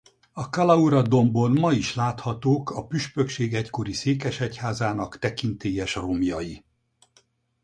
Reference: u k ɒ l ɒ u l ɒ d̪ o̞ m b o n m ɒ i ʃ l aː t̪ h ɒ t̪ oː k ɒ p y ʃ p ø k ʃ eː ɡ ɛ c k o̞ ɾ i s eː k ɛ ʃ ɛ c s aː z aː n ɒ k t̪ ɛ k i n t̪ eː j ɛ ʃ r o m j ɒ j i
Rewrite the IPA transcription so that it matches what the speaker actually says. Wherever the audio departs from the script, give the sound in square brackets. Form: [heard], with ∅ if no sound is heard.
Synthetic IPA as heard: [ɒ] k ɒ l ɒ u [ɾ] ɒ d̪ o̞ m b o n m ɒ i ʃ l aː t̪ h ɒ t̪ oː k ɒ p y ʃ p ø k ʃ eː ɡ ɛ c k o̞ ɾ i s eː k ɛ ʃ ɛ c [h] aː z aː n ɒ k t̪ ɛ k i n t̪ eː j ɛ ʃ r o m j ɒ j i

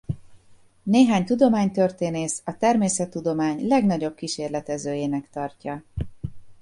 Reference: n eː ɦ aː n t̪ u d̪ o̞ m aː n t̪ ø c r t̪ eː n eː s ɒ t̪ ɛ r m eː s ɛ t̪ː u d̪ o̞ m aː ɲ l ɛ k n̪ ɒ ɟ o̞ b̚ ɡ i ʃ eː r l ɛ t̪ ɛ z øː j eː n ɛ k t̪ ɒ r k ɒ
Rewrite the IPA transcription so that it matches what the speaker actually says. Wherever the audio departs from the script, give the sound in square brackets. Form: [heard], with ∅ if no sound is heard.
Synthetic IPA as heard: n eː ɦ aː [ɲ] t̪ u d̪ o̞ m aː [ɲ] t̪ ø [∅] r t̪ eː n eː s ɒ t̪ ɛ r m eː s ɛ t̪ː u d̪ o̞ m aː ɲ l ɛ [ɡ] n̪ ɒ ɟ o̞ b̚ [k] i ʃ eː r l ɛ t̪ ɛ z øː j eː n ɛ k t̪ ɒ r [c] ɒ

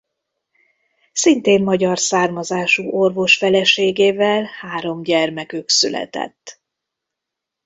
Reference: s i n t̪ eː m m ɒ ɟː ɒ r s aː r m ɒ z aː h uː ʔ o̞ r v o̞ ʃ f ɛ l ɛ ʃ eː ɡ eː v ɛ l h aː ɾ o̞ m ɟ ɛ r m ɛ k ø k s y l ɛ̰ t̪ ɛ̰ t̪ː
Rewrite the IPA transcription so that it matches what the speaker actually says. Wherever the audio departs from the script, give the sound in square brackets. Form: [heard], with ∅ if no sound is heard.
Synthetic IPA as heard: s i n t̪ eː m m ɒ [ɟ] ɒ r s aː r m ɒ z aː [ʃ] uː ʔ o̞ r v o̞ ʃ f ɛ l ɛ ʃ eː ɡ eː v ɛ l h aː ɾ o̞ m ɟ ɛ r m ɛ k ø k s y l ɛ̰ t̪ ɛ̰ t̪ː

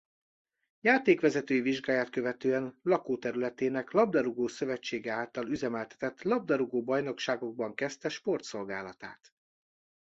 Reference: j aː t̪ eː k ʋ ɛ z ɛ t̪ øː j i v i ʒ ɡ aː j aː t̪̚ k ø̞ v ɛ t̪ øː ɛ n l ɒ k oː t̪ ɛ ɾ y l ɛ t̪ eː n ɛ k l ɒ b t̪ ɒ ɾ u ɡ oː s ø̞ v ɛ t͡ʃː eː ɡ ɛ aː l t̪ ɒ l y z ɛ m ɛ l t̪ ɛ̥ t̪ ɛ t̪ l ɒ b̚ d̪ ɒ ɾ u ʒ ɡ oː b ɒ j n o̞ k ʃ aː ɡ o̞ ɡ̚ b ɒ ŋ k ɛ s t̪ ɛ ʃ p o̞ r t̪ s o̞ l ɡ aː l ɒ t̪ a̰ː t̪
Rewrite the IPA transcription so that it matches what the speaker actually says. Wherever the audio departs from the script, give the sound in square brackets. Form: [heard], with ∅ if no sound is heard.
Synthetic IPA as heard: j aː t̪ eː k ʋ ɛ z ɛ t̪ øː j i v i ʒ ɡ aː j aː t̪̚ k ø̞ v ɛ t̪ øː ɛ n l ɒ k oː t̪ ɛ ɾ y l ɛ t̪ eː n ɛ k l ɒ b [d̪] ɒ ɾ u ɡ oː s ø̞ v ɛ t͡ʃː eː ɡ ɛ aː l t̪ ɒ l y z ɛ m ɛ l t̪ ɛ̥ t̪ ɛ t̪ l ɒ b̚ d̪ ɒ ɾ u [∅] ɡ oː b ɒ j n o̞ k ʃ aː ɡ o̞ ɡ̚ b ɒ ŋ k ɛ s t̪ ɛ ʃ p o̞ r t̪ s o̞ l ɡ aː l ɒ t̪ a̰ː t̪

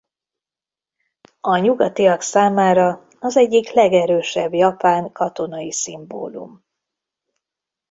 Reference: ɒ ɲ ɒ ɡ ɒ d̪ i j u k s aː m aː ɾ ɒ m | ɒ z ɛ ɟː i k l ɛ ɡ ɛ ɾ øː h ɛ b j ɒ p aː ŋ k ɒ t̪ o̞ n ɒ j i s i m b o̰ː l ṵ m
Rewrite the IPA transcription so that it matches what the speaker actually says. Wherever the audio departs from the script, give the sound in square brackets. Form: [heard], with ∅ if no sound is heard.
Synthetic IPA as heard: ɒ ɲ [u] ɡ ɒ [t̪] i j [ɒ] k s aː m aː ɾ ɒ [∅] | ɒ z ɛ ɟː i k l ɛ ɡ ɛ ɾ øː [ʃ] ɛ b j ɒ p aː ŋ k ɒ t̪ o̞ n ɒ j i s i m b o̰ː l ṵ m

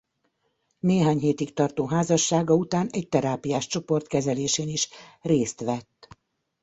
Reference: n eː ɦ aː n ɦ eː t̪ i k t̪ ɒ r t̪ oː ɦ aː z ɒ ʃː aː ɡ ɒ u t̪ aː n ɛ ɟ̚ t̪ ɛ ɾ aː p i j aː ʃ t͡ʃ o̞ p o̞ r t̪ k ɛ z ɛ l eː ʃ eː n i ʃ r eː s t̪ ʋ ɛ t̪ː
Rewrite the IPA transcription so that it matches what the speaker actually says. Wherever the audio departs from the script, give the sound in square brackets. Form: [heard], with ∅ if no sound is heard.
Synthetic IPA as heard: n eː ɦ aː [ɲ] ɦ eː t̪ i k t̪ ɒ r t̪ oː ɦ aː z ɒ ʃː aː ɡ ɒ u t̪ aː n ɛ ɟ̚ t̪ ɛ ɾ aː p i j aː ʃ t͡ʃ o̞ p o̞ r t̪ k ɛ z ɛ l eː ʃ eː n i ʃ r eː s t̪ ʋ ɛ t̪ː

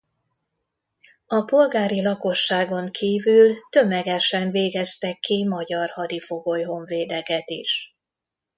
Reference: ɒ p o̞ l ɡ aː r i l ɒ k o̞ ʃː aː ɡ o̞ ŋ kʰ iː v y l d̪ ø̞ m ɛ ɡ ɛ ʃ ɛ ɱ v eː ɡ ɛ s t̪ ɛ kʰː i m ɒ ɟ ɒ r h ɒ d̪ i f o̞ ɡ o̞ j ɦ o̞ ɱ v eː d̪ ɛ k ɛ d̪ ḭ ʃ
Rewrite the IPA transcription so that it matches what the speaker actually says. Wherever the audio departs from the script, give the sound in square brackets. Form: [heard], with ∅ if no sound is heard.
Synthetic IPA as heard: ɒ p o̞ l ɡ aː [ɾ] i l ɒ k o̞ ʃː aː ɡ o̞ ŋ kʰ iː v y l [t̪] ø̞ m ɛ ɡ ɛ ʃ ɛ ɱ v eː ɡ ɛ s t̪ ɛ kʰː i m ɒ ɟ ɒ r h ɒ d̪ i f o̞ ɡ o̞ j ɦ o̞ ɱ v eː d̪ ɛ k ɛ [t̪] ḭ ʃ

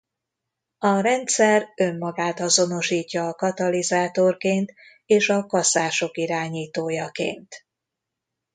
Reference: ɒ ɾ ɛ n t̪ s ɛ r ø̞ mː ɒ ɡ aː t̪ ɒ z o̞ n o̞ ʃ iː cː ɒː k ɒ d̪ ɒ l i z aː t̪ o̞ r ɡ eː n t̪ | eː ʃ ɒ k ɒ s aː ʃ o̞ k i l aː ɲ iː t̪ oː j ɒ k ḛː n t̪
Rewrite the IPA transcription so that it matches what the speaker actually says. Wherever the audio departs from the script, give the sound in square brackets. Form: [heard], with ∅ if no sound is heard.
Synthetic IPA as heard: ɒ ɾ ɛ n t̪ s ɛ r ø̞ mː ɒ ɡ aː t̪ ɒ z o̞ n o̞ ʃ iː cː ɒː k ɒ [t̪] ɒ l i z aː t̪ o̞ r [k] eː n t̪ | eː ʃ ɒ k ɒ s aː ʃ o̞ k i [ɾ] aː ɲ iː t̪ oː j ɒ k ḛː n t̪

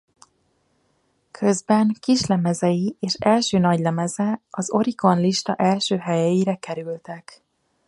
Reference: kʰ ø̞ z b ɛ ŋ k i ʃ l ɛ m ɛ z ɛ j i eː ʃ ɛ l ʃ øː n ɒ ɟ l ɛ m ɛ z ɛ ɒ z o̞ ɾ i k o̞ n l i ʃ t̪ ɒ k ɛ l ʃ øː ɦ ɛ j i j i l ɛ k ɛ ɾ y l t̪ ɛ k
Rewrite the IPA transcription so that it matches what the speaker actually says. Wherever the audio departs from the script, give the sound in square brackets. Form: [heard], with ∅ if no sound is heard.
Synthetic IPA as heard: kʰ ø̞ z b ɛ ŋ k i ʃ l ɛ m ɛ z ɛ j i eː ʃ ɛ l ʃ øː n ɒ ɟ l ɛ m ɛ z ɛ ɒ z o̞ ɾ i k o̞ n l i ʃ t̪ ɒ [ʔ] ɛ l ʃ øː ɦ ɛ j [ɛ] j i [ɾ] ɛ k ɛ ɾ y l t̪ ɛ k

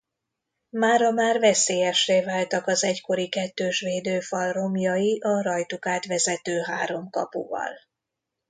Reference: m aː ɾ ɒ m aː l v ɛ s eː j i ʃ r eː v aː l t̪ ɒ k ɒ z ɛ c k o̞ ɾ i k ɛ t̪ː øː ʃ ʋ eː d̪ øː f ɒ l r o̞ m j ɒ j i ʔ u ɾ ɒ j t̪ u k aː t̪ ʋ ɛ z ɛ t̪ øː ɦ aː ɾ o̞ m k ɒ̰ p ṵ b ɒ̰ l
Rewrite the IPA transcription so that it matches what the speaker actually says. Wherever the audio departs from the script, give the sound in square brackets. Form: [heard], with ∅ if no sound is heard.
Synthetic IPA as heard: m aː ɾ ɒ m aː [r] v ɛ s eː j [ɛ] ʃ r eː v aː l t̪ ɒ k ɒ z ɛ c k o̞ ɾ i k ɛ t̪ː øː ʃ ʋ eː d̪ øː f ɒ l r o̞ m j ɒ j i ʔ [ɒ] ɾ ɒ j t̪ u k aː t̪ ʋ ɛ z ɛ t̪ øː ɦ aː ɾ o̞ m k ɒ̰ p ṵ [v] ɒ̰ l

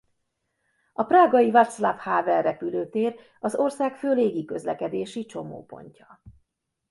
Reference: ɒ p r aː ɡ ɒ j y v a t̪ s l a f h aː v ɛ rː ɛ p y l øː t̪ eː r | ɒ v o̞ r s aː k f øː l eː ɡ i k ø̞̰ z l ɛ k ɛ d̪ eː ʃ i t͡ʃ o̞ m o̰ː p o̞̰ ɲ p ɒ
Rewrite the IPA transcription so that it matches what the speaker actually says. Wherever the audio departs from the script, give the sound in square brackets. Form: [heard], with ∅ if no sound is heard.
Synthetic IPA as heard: ɒ p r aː ɡ ɒ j [i] v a t̪ s l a f h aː v ɛ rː ɛ p y l øː t̪ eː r | ɒ [z] o̞ r s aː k f øː l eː ɡ i k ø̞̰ z l ɛ k ɛ d̪ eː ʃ i t͡ʃ o̞ m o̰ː p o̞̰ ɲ [c] ɒ

